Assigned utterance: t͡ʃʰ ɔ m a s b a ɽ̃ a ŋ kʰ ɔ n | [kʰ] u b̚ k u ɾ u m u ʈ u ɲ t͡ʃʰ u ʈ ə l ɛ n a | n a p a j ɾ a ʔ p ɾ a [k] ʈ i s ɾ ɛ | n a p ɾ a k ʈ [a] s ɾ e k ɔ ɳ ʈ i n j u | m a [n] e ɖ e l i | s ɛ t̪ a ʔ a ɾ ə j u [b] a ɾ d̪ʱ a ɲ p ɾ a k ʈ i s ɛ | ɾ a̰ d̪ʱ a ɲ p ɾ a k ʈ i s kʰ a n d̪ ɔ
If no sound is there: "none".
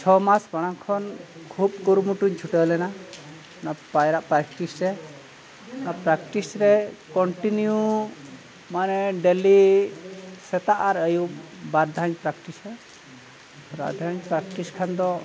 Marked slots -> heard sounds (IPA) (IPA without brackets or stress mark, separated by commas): kʰ, k, i, n, b